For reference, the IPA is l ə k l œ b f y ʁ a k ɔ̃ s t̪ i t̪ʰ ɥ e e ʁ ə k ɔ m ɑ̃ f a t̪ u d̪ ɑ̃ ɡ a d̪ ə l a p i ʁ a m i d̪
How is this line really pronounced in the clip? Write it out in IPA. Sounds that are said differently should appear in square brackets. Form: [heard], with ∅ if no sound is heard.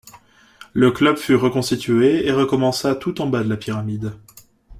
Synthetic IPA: l ə k l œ b f y ʁ [ə] k ɔ̃ s t̪ i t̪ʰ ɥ e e ʁ ə k ɔ m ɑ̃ [s] a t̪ u [t̪] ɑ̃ [b] a d̪ ə l a p i ʁ a m i d̪